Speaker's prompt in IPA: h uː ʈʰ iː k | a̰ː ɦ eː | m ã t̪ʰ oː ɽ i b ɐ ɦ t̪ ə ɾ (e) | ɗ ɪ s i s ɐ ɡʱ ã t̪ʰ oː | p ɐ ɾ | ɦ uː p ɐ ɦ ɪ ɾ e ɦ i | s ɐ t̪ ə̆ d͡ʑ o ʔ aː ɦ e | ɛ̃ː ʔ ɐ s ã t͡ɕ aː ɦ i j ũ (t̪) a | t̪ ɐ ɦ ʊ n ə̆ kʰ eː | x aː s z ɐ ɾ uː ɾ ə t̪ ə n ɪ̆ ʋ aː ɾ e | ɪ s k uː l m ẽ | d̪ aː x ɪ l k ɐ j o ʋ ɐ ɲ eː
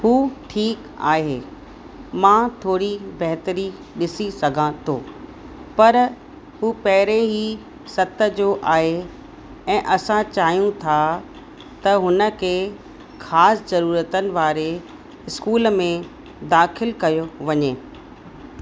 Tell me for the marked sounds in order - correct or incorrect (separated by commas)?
incorrect, incorrect